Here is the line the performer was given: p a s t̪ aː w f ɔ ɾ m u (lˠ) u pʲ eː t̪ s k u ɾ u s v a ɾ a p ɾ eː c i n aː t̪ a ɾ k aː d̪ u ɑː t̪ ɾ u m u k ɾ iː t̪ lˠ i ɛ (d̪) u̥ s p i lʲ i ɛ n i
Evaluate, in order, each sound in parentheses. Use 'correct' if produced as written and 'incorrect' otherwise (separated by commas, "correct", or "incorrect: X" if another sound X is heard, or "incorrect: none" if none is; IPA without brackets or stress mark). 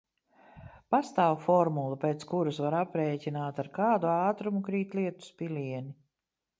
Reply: correct, incorrect: t̪